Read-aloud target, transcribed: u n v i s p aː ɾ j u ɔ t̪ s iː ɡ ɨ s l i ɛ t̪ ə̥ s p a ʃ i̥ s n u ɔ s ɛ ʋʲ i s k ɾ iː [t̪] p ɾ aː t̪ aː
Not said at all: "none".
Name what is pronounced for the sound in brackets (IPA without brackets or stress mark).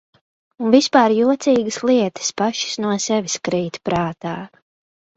t̪